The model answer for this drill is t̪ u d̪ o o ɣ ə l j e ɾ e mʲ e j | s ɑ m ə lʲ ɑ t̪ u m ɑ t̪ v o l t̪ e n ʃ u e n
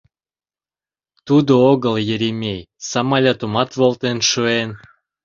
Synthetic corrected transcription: t̪ u d̪ o o ɣ ə l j e ɾ e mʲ e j | s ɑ m ɑ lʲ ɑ t̪ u m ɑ t̪ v o l t̪ e n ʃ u e n